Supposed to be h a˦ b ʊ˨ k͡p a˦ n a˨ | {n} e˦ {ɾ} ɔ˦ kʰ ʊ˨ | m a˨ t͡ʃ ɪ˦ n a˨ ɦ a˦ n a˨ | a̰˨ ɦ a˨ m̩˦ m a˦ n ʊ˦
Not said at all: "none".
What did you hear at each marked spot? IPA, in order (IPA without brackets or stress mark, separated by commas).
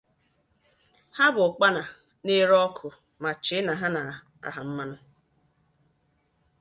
n, ɾ